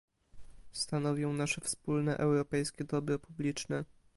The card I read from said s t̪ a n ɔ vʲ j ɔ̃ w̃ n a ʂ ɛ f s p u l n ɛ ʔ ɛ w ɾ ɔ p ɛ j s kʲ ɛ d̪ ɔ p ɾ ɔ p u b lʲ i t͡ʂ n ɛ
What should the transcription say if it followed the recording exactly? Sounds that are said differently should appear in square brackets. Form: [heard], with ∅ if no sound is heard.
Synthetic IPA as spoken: s t̪ a n ɔ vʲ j ɔ̃ w̃ n a ʂ ɛ f s p u l n ɛ ʔ ɛ w ɾ ɔ p ɛ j s kʲ ɛ d̪ ɔ [b] ɾ ɔ p u b lʲ i t͡ʂ n ɛ